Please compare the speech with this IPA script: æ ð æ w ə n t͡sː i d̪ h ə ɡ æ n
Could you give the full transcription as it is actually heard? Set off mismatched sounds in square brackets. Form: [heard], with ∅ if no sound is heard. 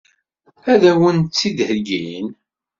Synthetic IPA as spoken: æ ð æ w ə n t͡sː i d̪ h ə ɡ [i] n